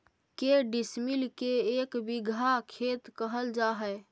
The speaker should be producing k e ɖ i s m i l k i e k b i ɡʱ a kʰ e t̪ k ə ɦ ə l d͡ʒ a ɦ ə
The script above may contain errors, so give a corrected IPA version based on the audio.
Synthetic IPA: k e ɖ i s m i l k e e k b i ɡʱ a kʰ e t̪ k ə ɦ ə l d͡ʒ a ɦ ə

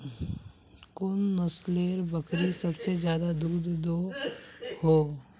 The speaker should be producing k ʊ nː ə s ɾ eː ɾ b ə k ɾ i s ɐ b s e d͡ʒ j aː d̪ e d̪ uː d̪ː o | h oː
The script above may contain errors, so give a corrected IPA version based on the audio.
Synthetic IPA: k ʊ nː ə s l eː ɾ b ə k ɾ i s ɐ b s e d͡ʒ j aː d̪ a d̪ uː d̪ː o | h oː

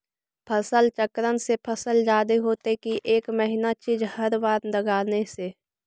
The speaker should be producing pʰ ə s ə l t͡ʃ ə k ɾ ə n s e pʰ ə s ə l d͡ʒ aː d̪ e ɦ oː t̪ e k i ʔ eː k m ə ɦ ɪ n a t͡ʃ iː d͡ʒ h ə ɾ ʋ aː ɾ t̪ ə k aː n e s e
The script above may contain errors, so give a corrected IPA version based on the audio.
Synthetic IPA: pʰ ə s ə l t͡ʃ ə k ɾ ə n s e pʰ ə s ə l d͡ʒ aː d̪ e ɦ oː t̪ e k i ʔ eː k m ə ɦ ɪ n a t͡ʃ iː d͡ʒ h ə ɾ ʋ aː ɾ d̪ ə ɡ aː n e s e

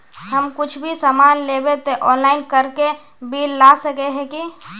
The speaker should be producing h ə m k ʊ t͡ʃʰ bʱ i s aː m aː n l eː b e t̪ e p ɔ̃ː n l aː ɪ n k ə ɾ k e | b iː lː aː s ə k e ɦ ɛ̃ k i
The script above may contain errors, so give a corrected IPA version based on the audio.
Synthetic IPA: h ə m k ʊ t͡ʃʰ bʱ i s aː m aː n l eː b e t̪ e ʔ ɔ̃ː n l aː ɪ n k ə ɾ k e | b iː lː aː s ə k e ɦ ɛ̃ k i

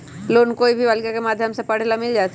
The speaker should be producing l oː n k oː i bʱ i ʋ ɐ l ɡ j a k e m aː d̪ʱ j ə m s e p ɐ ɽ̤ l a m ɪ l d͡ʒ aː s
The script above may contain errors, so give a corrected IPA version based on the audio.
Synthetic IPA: l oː n k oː i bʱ i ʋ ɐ l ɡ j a k e m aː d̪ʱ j ə m s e p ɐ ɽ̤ l a m ɪ l d͡ʒ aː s

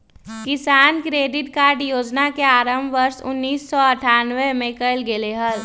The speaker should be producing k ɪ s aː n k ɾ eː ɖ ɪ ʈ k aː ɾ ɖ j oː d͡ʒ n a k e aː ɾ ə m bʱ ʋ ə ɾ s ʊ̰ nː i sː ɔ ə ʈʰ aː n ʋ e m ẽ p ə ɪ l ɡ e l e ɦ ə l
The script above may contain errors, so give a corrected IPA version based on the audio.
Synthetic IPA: k ɪ s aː n k ɾ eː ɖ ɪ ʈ k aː ɾ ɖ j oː d͡ʒ n a k e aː ɾ ə m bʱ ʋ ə ɾ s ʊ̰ nː iː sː ɔ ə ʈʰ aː n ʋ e m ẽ k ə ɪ l ɡ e l e ɦ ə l

